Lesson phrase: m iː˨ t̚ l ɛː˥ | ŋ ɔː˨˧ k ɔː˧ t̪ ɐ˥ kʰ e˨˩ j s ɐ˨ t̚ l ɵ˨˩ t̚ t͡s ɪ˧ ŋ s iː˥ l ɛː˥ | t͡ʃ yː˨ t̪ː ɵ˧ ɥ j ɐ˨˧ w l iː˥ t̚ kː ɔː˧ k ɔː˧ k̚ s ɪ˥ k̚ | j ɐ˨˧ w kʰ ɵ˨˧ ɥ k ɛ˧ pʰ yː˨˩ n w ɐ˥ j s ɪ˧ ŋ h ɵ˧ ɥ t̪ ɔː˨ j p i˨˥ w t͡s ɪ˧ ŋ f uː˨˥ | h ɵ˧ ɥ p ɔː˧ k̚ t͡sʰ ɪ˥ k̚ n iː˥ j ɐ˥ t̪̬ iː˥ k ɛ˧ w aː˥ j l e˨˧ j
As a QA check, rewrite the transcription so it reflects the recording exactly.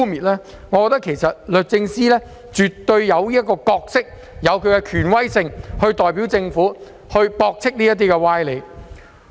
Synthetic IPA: m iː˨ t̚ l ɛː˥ | ŋ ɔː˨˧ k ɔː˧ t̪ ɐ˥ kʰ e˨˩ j s ɐ˨ t̚ l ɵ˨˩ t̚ t͡s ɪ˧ ŋ s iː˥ l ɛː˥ | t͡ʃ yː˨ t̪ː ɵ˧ ɥ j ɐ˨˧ w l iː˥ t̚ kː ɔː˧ k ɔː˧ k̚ s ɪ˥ k̚ | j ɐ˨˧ w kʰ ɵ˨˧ ɥ k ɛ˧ kʰ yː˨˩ n w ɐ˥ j s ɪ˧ ŋ h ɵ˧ ɥ t̪ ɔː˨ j p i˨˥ w t͡s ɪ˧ ŋ f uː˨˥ | h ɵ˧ ɥ p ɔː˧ k̚ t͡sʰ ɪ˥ k̚ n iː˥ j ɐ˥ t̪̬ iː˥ k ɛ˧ w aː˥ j l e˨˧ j